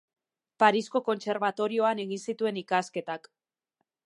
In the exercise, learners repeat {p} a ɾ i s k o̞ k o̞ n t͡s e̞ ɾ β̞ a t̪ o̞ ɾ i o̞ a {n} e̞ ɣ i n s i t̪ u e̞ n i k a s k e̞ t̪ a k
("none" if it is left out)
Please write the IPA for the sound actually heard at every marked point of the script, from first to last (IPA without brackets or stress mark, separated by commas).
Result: p, n